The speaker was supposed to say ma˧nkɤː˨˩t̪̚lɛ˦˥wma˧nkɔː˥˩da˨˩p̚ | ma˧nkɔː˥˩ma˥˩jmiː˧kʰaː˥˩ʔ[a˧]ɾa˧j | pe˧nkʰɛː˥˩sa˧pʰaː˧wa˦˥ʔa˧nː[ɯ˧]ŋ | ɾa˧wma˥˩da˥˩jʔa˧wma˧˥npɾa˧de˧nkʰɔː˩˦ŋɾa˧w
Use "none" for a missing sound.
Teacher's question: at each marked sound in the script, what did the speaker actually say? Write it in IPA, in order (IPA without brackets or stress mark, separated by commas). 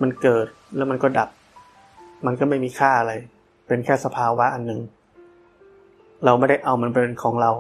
a˧, ɯ˨˩